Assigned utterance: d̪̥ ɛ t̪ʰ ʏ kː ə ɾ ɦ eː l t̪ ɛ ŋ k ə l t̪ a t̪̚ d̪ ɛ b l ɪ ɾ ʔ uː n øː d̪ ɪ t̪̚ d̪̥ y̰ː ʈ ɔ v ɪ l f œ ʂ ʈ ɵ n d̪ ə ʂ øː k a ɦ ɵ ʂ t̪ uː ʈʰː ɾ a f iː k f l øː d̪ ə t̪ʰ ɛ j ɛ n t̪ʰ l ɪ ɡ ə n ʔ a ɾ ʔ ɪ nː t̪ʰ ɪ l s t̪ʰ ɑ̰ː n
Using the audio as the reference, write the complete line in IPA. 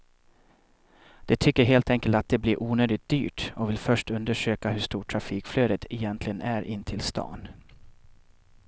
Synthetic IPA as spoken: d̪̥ ɛ t̪ʰ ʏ kː ə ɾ ɦ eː l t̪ ɛ ŋ k ə l t̪ a t̪̚ d̪ ɛ b l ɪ ɾ ʔ uː n øː d̪ ɪ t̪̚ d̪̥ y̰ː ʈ ɔ v ɪ l f œ ʂ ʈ ɵ n d̪ ə ʂ øː k a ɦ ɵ ʂ t̪ uː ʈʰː ɾ a f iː k f l øː d̪ ə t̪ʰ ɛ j ɛ n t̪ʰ l ɪ ɡ ə n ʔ æ ɾ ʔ ɪ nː t̪ʰ ɪ l s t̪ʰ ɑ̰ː n